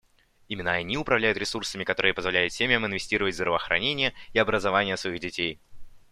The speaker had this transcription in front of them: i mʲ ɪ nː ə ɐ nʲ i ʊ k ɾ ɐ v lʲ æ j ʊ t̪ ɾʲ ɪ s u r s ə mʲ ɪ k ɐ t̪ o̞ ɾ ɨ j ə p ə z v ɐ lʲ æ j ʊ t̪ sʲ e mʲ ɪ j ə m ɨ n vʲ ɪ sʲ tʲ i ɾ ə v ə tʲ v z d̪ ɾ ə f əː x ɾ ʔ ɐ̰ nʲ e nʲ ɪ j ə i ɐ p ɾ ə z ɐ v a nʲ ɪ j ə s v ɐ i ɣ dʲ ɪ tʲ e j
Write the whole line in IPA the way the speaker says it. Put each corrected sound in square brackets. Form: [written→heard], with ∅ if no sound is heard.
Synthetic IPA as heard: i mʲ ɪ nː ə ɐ nʲ i ʊ [k→p] ɾ ɐ v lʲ æ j ʊ t̪ ɾʲ ɪ s u r s ə mʲ ɪ k ɐ t̪ o̞ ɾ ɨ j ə p ə z v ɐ lʲ æ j ʊ t̪ sʲ e mʲ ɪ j ə m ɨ n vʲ ɪ sʲ tʲ i ɾ ə v ə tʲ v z d̪ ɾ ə [f→v] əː x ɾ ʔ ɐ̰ nʲ e nʲ ɪ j ə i ɐ [p→b] ɾ ə z ɐ v a nʲ ɪ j ə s v ɐ i ɣ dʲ ɪ tʲ e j